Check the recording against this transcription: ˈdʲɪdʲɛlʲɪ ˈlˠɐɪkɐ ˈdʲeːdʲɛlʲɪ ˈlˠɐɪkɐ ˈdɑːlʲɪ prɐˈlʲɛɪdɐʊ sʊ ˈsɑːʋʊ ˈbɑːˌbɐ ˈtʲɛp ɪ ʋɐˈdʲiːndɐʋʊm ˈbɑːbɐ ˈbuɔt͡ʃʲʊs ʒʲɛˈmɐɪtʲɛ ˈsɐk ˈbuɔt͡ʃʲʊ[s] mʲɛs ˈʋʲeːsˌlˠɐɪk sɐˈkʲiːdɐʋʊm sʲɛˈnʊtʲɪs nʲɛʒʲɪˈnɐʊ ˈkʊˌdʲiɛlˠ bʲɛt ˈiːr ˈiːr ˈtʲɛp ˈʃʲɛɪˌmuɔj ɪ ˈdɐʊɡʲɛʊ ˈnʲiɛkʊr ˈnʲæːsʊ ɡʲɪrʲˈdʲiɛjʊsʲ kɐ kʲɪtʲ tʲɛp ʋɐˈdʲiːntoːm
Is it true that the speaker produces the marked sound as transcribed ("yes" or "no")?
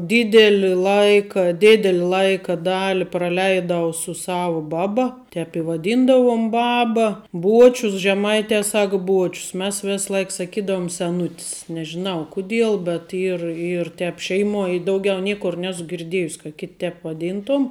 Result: yes